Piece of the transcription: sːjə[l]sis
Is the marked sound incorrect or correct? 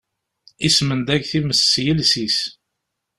correct